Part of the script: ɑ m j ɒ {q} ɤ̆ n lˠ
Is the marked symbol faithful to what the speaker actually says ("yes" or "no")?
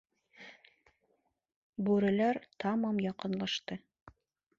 yes